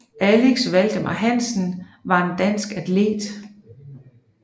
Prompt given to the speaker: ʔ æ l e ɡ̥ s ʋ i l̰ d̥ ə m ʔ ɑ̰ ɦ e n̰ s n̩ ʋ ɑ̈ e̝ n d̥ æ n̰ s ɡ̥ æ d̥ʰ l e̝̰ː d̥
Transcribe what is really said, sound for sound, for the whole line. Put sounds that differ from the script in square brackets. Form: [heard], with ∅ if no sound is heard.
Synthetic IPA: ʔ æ l e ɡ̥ s ʋ [æ] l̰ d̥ ə m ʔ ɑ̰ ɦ [æ] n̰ s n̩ ʋ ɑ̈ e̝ n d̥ æ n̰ s ɡ̥ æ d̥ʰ l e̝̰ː d̥